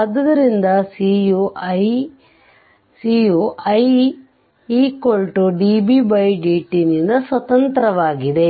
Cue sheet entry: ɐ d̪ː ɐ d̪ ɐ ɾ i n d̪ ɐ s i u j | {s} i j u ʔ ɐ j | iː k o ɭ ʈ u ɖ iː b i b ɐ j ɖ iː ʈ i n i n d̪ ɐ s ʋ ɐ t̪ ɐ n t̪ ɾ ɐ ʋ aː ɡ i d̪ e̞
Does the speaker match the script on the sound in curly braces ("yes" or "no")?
yes